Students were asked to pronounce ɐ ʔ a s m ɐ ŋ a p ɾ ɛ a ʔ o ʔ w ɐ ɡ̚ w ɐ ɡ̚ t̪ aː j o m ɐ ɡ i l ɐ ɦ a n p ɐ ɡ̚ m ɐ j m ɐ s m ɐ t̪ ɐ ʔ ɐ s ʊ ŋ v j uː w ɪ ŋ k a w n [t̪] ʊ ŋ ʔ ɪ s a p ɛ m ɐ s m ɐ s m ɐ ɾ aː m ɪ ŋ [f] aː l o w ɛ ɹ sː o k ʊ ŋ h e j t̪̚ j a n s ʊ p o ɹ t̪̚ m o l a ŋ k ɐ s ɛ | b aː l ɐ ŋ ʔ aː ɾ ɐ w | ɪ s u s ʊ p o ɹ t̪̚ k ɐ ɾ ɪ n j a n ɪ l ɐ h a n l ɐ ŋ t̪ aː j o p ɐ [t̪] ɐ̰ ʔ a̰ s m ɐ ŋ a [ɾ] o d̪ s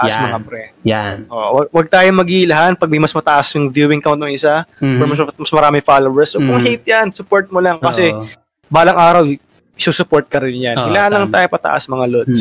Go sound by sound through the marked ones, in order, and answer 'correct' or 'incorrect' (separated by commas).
correct, correct, correct, incorrect